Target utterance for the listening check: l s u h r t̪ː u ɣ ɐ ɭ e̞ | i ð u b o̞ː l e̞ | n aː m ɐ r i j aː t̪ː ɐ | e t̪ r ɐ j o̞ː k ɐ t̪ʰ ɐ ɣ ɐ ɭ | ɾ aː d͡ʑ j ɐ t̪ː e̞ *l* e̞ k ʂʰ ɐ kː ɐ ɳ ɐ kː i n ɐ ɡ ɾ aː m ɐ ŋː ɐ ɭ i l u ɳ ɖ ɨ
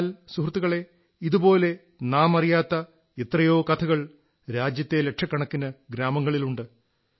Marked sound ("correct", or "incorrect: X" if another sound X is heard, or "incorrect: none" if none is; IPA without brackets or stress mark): correct